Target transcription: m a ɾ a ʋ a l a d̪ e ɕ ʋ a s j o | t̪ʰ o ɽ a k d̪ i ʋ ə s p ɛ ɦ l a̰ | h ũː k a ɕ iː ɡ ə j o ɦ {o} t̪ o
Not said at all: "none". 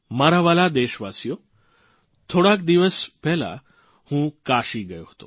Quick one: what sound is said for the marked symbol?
o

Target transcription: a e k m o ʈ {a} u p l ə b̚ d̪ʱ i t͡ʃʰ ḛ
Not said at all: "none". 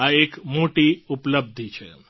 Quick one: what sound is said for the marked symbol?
i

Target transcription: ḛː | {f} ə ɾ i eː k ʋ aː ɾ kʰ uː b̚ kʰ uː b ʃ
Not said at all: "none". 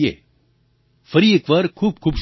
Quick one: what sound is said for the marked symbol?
f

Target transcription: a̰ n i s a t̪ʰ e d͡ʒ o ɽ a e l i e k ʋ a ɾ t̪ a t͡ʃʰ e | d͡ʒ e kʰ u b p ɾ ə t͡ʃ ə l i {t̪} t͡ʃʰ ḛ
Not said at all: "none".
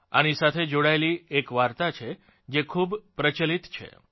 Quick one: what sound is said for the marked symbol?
t̪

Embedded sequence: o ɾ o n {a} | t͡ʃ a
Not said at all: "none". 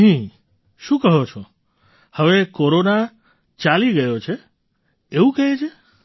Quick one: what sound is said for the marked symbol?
a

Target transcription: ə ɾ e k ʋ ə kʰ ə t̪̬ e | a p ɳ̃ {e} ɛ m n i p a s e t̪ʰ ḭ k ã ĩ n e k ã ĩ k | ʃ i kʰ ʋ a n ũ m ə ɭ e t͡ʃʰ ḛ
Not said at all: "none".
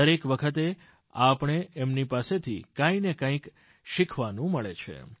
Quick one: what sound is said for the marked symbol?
e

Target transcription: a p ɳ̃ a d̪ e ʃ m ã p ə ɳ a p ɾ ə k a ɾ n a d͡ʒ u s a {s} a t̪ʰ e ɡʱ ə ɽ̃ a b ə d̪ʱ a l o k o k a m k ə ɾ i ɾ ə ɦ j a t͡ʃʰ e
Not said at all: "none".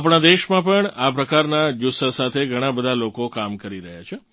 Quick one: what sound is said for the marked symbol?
s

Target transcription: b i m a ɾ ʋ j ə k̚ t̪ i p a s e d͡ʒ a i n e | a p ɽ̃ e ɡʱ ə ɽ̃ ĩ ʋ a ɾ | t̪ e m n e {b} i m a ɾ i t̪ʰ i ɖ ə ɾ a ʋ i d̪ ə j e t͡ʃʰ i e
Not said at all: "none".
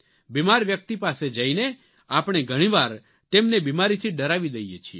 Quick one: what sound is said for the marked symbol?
b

